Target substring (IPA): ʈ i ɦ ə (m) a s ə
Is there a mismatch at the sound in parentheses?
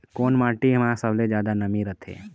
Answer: no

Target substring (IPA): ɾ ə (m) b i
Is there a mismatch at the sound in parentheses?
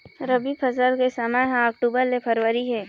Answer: yes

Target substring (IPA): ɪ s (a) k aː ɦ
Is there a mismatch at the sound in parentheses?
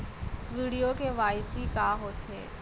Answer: yes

